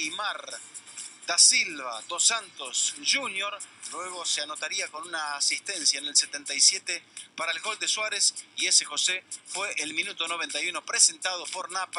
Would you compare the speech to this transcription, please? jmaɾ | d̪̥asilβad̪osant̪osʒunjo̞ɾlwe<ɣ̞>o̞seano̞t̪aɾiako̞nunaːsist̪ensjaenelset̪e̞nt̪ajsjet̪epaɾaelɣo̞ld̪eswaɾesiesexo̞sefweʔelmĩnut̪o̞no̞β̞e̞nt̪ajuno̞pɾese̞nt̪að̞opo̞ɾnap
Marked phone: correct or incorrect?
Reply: correct